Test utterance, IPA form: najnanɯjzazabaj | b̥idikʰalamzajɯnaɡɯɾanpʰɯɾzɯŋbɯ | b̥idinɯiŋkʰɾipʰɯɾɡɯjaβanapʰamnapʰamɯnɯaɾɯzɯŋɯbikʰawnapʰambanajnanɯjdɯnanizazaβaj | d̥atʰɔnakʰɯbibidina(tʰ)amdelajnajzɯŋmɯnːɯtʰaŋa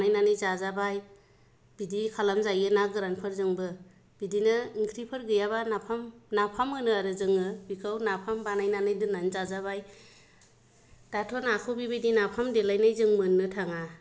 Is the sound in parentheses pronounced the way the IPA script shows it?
no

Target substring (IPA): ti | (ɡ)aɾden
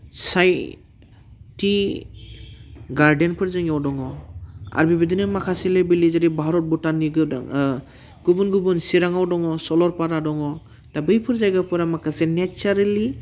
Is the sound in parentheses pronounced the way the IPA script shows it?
yes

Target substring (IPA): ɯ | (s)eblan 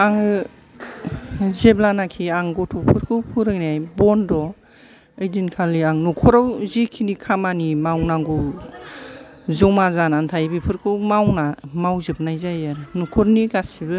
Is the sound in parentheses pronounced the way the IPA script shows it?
no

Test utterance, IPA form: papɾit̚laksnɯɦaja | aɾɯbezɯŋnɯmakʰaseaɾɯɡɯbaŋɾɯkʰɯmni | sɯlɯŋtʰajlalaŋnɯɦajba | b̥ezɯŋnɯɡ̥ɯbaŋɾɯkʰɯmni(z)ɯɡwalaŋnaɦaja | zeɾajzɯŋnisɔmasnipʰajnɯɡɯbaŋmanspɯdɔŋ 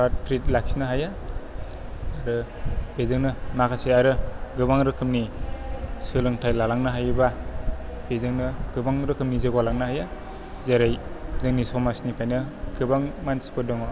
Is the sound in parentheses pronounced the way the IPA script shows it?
yes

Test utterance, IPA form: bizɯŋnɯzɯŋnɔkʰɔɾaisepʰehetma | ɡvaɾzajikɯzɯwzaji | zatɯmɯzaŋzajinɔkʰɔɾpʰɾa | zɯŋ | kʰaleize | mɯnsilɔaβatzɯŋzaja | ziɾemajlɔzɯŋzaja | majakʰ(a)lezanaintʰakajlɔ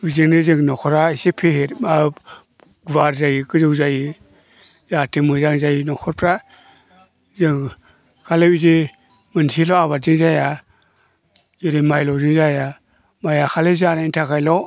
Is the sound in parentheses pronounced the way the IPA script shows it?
yes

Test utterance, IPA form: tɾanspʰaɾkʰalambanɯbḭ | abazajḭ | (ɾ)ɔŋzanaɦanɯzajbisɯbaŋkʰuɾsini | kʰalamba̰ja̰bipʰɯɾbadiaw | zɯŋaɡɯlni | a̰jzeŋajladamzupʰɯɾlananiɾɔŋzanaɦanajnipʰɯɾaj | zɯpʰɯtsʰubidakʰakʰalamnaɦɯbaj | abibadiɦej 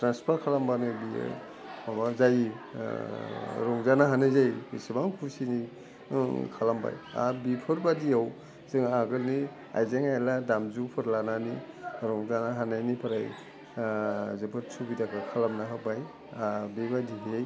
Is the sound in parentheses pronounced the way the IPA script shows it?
yes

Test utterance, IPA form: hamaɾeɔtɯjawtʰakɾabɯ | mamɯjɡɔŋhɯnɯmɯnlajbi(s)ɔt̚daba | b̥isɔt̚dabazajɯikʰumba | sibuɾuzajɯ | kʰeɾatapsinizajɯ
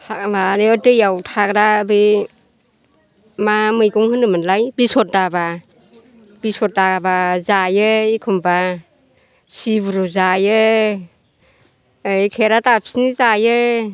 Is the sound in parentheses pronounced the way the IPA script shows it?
yes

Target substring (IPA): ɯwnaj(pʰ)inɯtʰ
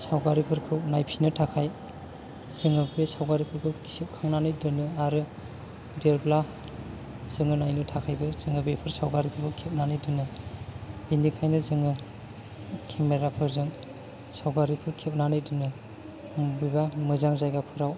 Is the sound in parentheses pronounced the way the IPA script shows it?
yes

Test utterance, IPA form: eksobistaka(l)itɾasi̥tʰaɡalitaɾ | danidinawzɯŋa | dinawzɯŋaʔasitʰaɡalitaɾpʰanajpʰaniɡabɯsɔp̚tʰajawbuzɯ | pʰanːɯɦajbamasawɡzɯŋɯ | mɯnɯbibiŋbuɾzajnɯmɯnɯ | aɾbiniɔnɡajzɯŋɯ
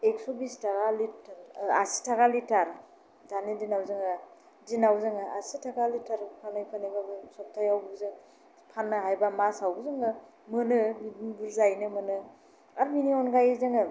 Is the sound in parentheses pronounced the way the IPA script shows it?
yes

